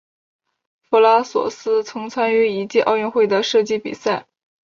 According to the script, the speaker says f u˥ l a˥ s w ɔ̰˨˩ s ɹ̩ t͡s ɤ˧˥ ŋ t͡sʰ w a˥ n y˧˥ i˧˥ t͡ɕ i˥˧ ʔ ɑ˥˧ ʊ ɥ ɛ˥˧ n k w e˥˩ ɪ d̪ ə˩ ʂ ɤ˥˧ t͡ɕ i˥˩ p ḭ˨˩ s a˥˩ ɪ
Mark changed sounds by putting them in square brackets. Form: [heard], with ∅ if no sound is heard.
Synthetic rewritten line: f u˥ l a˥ s w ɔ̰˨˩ s ɹ̩ [t͡sʰ] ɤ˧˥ ŋ t͡sʰ w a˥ n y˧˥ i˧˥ t͡ɕ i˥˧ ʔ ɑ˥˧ ʊ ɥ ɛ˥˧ n [x] w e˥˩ ɪ d̪ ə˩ ʂ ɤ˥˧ t͡ɕ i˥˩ p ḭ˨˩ s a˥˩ ɪ